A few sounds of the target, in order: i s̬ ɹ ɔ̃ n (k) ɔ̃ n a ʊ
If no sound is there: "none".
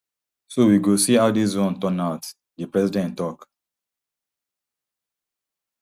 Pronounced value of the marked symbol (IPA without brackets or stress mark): t